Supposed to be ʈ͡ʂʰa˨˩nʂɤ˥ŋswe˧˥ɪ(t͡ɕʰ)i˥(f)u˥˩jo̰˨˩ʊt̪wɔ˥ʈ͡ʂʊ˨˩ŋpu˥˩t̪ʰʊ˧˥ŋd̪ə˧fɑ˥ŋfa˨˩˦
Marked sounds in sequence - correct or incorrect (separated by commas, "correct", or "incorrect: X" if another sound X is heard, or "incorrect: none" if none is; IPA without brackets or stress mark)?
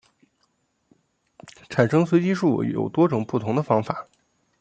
incorrect: t͡ɕ, incorrect: ʂ